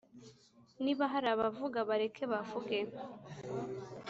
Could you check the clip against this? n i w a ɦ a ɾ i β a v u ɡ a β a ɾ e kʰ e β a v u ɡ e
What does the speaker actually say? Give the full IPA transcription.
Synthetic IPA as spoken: n i β a ɦ a ɾ a β a v u ɡ a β a ɾ e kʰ e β a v u ɡ e